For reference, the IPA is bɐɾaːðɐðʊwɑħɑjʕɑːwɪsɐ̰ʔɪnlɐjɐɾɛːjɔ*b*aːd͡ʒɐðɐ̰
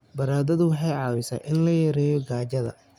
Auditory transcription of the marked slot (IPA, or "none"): ɡ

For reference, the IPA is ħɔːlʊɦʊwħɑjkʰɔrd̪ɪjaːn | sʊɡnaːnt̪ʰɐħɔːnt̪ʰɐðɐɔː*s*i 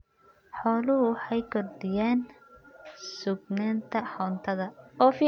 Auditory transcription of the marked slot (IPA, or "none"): f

